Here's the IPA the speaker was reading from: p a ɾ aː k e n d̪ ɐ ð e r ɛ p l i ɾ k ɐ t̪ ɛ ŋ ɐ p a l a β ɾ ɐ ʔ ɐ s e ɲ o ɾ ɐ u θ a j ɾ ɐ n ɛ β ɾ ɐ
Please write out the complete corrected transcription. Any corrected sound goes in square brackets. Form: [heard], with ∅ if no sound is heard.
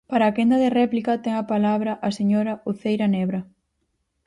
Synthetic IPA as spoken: p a ɾ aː k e n d̪ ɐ ð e r ɛ p l i [∅] k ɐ t̪ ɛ ŋ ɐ p a l a β ɾ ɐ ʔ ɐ s e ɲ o ɾ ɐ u θ [e] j ɾ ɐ n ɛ β ɾ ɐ